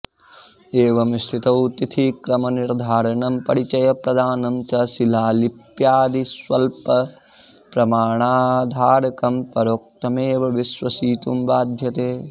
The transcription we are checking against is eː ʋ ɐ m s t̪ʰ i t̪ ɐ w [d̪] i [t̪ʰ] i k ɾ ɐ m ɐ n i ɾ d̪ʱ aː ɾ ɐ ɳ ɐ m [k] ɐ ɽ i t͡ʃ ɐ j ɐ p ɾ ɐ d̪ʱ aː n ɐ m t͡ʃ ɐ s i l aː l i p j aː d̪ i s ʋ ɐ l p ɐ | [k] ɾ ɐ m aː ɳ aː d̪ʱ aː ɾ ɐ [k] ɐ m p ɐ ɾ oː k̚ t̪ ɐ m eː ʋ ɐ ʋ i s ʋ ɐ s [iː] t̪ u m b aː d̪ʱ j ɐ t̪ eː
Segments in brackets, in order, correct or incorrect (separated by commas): incorrect, correct, incorrect, incorrect, correct, correct